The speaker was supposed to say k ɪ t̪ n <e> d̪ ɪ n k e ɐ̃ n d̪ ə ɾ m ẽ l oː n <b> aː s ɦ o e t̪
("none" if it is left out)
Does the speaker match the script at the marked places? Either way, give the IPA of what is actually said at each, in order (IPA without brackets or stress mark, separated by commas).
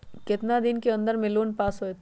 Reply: a, p